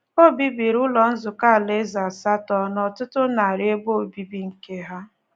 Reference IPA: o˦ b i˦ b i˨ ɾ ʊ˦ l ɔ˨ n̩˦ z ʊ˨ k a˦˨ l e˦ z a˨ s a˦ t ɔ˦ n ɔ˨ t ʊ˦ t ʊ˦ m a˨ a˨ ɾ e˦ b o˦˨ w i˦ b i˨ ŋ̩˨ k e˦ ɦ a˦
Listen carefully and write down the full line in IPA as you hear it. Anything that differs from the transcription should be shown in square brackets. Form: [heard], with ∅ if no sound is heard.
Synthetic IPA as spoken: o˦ b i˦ b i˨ ɾ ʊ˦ l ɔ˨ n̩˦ z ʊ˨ k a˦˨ l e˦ z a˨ s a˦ t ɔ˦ n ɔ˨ t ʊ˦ t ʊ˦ [n] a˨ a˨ ɾ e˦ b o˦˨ [b] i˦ b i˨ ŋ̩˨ k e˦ ɦ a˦